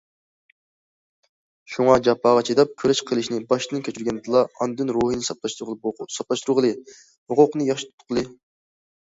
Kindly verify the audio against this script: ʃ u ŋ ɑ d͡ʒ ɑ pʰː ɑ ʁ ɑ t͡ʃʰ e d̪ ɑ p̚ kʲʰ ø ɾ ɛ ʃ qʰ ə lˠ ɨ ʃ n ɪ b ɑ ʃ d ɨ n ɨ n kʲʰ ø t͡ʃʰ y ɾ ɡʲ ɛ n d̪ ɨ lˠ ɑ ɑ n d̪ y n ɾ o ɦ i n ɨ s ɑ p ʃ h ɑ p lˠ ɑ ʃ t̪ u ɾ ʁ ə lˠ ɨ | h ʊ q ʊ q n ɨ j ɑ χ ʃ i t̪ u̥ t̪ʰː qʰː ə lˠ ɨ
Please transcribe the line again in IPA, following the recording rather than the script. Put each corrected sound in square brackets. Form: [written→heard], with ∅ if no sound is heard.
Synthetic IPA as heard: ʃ u ŋ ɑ d͡ʒ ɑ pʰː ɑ ʁ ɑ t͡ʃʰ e d̪ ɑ p̚ kʲʰ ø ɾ ɛ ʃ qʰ ə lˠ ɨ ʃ n ɪ b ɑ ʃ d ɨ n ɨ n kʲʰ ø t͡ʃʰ y ɾ ɡʲ ɛ n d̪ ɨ lˠ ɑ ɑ n d̪ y n ɾ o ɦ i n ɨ s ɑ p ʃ [h→s] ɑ p lˠ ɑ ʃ t̪ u ɾ ʁ ə lˠ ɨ | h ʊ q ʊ q n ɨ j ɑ χ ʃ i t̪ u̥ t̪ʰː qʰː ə lˠ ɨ

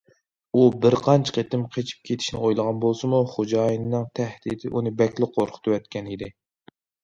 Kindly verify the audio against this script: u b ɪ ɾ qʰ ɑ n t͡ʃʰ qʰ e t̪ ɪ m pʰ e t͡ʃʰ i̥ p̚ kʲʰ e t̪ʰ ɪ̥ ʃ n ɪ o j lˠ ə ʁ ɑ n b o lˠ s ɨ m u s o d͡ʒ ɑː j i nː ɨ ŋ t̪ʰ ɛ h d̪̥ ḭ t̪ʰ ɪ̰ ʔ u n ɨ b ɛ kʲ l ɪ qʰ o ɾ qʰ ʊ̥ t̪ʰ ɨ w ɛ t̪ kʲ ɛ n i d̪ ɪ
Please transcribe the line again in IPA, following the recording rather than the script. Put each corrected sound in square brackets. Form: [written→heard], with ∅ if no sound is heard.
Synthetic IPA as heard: u b ɪ ɾ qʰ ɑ n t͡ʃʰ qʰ e t̪ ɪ m [pʰ→qʰ] e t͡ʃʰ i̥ p̚ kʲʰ e t̪ʰ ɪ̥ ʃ n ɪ o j lˠ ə ʁ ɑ n b o lˠ s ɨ m u [s→χ] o d͡ʒ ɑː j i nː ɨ ŋ t̪ʰ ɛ h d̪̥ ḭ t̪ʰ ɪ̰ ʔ u n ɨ b ɛ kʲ l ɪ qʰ o ɾ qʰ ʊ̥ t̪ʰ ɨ w ɛ t̪ kʲ ɛ n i d̪ ɪ

